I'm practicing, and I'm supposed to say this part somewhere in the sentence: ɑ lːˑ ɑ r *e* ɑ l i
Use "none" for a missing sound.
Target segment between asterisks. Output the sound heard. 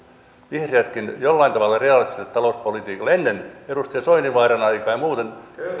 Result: e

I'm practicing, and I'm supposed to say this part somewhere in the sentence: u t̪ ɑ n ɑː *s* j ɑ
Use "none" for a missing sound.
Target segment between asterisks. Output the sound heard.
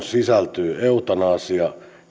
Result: s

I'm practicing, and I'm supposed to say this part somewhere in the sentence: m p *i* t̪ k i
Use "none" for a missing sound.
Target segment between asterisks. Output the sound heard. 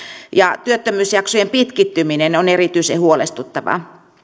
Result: i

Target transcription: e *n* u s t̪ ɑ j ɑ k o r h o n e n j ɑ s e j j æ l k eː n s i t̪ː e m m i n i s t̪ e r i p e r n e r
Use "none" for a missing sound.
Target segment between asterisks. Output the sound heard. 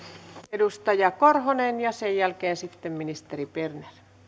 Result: d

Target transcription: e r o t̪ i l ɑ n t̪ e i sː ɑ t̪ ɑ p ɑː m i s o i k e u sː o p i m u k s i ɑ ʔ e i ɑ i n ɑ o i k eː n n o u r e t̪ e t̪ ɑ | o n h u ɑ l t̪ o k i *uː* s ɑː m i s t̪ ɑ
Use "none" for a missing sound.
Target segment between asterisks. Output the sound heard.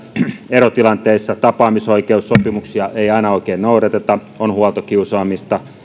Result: u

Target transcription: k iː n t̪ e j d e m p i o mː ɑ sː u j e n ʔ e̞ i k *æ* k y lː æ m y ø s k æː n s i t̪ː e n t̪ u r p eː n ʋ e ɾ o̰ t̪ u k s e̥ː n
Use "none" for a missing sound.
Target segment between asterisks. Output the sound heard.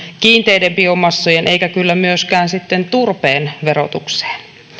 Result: æ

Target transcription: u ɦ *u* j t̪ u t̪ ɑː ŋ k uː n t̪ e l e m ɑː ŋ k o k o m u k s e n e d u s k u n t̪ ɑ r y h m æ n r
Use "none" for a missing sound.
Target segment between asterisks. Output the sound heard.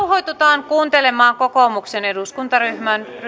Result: o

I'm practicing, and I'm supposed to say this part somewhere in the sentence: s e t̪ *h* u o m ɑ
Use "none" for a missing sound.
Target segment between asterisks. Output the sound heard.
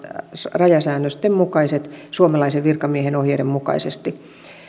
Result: s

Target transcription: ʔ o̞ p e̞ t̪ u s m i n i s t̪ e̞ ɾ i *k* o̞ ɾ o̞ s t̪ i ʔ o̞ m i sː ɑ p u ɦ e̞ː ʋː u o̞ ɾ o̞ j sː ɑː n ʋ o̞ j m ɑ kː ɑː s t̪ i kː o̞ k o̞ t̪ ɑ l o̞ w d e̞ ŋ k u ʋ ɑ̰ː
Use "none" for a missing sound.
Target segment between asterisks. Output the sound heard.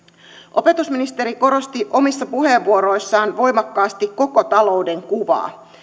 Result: k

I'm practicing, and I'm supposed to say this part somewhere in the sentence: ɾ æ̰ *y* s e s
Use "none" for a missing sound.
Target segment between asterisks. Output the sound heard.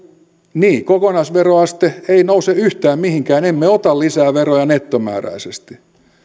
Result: i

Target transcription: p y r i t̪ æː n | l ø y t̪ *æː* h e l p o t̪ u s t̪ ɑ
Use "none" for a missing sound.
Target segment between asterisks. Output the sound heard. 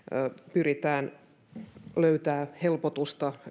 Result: æː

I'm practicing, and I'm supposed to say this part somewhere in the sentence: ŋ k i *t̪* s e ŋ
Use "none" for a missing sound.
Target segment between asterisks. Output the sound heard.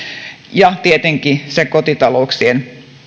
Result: none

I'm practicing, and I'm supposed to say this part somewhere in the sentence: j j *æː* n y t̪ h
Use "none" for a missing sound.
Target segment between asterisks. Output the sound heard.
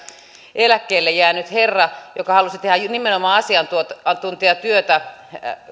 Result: æː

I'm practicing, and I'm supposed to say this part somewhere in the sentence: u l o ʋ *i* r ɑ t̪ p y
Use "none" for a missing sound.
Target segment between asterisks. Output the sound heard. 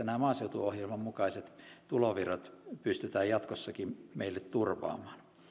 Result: i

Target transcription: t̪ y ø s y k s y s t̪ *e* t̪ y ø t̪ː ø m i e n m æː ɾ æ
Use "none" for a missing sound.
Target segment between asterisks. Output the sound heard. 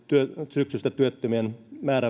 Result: æ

